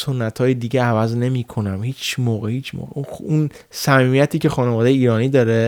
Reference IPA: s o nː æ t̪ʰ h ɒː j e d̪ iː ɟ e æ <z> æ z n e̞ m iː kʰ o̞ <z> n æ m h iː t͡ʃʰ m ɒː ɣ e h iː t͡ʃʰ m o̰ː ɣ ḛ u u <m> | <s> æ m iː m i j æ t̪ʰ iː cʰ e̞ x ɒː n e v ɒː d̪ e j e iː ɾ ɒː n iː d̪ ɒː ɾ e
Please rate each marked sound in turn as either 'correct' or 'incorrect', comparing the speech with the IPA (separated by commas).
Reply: incorrect, incorrect, incorrect, correct